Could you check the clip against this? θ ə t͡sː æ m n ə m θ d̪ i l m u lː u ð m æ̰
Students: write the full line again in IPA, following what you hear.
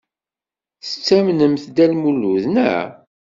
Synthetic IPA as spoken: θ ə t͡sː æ m n ə m θ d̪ æ l m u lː u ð n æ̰